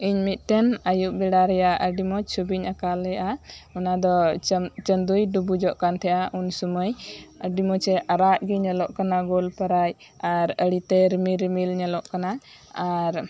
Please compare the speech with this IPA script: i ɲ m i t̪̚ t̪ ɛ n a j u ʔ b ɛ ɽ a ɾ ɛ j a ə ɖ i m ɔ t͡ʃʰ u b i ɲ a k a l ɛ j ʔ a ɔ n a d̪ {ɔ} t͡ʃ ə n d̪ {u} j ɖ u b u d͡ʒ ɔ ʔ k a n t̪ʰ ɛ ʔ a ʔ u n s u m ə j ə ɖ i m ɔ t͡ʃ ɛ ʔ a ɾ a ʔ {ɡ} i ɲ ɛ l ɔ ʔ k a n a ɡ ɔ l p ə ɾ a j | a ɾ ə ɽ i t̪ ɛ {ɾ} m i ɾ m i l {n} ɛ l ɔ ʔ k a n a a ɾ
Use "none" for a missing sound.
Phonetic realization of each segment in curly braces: ɔ, u, ɡ, ɾ, ɲ

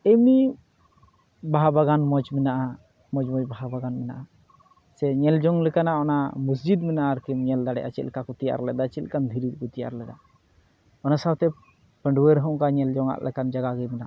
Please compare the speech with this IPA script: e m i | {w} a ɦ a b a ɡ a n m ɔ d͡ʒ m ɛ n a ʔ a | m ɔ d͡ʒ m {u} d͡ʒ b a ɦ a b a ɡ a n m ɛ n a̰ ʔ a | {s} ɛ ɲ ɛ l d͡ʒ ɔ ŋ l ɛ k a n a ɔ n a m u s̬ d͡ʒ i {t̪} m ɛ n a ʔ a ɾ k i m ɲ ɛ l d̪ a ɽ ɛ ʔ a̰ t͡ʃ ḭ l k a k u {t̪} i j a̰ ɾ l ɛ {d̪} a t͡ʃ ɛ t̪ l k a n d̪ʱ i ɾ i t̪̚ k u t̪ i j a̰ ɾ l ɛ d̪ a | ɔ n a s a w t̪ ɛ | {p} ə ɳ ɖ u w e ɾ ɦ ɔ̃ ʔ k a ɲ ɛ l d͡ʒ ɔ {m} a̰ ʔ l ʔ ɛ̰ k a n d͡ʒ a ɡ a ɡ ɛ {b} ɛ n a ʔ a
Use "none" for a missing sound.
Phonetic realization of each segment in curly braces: b, ɔ, s, d̪, t̪, d̪, p, ŋ, m

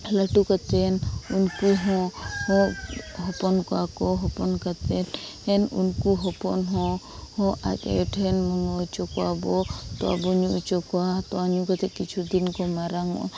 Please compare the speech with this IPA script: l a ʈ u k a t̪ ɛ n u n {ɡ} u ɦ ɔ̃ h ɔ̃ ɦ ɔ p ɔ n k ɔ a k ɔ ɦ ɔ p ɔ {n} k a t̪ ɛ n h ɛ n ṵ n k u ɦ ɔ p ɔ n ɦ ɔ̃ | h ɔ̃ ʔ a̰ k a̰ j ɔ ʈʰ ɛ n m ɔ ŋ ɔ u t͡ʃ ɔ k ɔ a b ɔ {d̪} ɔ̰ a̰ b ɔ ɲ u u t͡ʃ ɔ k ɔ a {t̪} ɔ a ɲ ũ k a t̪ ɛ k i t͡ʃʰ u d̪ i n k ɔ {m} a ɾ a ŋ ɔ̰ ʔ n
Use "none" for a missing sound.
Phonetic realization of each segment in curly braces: k, n, t̪, t̪, m

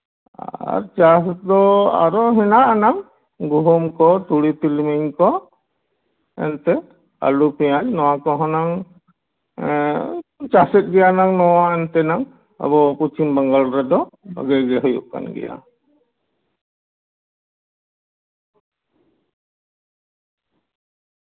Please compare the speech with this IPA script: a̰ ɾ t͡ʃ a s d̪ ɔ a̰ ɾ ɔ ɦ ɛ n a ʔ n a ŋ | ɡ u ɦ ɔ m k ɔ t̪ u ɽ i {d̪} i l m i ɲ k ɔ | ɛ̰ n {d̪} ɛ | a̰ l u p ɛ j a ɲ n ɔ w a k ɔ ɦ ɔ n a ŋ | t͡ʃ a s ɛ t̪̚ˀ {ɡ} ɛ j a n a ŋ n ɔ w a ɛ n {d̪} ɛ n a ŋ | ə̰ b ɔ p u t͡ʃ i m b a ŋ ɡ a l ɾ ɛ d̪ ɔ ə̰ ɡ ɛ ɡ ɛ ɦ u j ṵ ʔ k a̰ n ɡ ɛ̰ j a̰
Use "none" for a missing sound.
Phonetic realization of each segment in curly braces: t̪, t̪, ɡ, t̪

